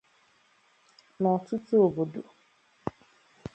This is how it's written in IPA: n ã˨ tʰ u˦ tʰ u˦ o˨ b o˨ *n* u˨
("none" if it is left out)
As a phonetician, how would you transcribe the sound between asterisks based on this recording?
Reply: d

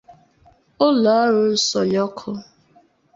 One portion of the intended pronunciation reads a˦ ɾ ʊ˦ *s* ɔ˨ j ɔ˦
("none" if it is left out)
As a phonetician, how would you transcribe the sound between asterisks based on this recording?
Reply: s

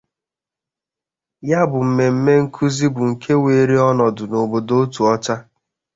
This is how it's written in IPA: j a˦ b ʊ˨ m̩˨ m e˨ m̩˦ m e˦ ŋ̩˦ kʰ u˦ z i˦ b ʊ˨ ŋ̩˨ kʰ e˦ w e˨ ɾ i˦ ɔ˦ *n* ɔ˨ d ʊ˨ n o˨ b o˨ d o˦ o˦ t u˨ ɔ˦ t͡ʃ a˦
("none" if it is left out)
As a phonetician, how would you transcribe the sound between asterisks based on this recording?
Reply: n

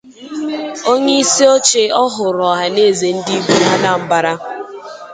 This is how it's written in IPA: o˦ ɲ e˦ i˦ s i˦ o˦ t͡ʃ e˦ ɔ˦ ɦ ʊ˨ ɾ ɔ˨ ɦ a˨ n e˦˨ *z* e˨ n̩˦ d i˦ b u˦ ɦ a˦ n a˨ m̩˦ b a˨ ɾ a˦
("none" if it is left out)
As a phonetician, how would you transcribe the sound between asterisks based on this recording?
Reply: z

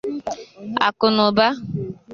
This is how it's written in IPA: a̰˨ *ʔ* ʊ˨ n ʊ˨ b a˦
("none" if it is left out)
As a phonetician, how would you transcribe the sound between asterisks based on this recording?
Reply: k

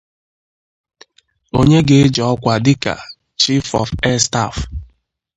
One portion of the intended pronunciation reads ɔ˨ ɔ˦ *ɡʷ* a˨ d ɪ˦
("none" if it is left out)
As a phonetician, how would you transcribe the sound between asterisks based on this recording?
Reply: kʷ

